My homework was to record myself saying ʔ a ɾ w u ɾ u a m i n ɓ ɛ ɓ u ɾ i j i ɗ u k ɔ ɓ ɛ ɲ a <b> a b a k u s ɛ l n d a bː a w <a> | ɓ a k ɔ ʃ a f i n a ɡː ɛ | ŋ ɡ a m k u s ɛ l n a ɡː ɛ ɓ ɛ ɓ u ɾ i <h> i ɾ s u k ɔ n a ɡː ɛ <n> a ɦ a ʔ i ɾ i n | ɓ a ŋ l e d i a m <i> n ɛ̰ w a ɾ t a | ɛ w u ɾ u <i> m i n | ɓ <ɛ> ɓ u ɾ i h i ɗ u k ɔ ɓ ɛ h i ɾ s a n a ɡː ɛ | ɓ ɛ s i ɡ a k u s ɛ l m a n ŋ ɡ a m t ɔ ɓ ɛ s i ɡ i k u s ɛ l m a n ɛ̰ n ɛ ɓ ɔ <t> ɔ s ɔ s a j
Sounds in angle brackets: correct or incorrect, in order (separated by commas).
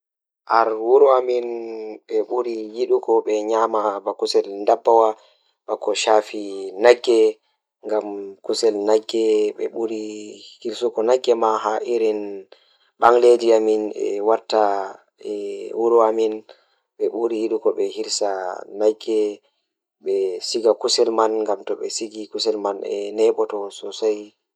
incorrect, correct, correct, incorrect, correct, incorrect, correct, correct